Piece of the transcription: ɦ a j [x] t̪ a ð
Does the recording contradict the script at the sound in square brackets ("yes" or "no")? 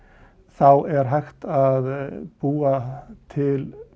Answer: no